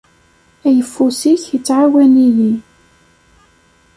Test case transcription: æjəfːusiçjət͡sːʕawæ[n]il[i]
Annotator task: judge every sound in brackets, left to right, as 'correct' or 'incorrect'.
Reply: correct, correct

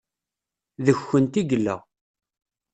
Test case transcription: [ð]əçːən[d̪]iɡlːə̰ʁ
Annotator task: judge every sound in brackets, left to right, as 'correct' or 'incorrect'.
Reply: correct, incorrect: t̪

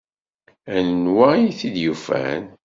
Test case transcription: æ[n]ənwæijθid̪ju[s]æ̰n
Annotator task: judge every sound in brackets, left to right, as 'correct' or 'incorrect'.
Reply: correct, incorrect: f

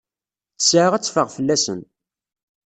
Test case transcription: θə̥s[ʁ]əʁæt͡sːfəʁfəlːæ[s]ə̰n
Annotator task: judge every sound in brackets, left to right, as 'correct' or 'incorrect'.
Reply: incorrect: ʕ, correct

